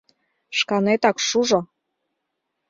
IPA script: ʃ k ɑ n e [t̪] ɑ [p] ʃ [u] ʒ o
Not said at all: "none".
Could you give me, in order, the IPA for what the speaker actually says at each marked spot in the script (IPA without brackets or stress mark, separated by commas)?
t̪, k, u